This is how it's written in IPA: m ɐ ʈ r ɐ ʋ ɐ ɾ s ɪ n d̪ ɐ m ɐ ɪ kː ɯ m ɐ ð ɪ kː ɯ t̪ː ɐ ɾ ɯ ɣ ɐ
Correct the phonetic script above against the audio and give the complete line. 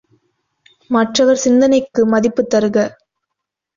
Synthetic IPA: m ɐ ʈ r ɐ ʋ ɐ ɾ s ɪ n d̪ ɐ n ɐ ɪ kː ɯ m ɐ ð ɪ pː ɯ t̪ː ɐ ɾ ɯ ɣ ɐ